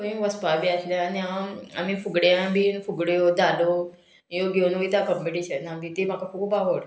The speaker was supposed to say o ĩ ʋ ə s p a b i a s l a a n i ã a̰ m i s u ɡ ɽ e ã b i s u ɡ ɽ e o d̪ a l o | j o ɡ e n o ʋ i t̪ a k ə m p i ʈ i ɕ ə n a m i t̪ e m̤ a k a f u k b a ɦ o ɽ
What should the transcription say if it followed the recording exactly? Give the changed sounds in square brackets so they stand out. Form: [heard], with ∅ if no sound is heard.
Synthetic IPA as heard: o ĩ ʋ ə s p a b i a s l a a n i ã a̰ m i [f] u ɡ ɽ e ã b i [f] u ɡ ɽ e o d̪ a l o | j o ɡ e n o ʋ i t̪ a k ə m p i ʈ i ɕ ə n a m i t̪ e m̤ a k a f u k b a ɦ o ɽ